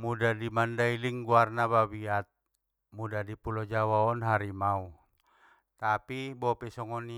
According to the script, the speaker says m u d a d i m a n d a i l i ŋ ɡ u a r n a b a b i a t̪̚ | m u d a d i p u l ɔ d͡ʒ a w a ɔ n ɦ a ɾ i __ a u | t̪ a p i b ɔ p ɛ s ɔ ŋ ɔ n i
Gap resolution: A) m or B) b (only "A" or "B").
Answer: A